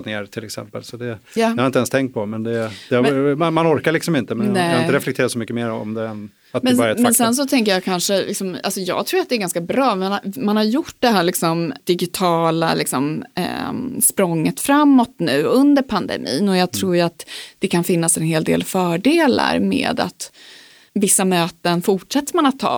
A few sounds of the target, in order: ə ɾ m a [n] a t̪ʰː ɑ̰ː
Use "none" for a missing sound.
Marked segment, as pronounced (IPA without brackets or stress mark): n